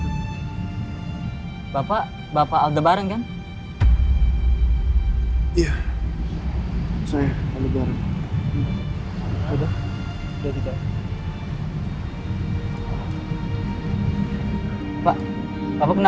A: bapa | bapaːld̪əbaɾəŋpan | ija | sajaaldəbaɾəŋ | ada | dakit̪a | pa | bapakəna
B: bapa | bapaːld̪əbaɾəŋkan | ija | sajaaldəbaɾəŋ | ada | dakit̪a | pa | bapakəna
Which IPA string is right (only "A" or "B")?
B